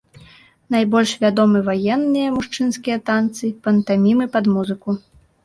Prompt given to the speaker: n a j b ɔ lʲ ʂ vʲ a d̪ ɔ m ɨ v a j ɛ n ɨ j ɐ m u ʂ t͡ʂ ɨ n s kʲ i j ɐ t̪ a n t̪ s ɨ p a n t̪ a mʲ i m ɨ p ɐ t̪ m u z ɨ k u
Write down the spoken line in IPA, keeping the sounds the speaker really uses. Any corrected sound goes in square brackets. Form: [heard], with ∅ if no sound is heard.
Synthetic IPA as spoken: n a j b ɔ lʲ ʂ vʲ a d̪ ɔ m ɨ v a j ɛ [nː] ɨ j ɐ m u ʂ t͡ʂ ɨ n s kʲ i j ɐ t̪ a n t̪ s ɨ p [ɐ] n t̪ a mʲ i m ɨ p ɐ [d̪] m u z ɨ k u